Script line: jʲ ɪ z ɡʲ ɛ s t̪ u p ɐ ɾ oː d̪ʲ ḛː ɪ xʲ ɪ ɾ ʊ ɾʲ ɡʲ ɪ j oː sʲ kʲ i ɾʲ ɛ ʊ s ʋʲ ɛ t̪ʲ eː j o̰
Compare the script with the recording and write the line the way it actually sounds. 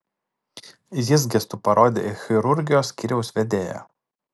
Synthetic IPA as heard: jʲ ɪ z ɡʲ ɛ s t̪ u p ɐ ɾ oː d̪ʲ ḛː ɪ xʲ ɪ ɾ ʊ ɾʲ ɡʲ ɪ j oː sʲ kʲ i ɾʲ ɛ ʊ s ʋʲ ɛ d̪ʲ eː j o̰